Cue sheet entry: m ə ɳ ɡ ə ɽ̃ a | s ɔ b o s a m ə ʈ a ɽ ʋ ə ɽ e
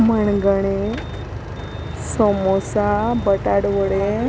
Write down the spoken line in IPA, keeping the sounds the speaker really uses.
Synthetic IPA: m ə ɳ ɡ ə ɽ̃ e | s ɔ m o s a b ə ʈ a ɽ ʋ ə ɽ e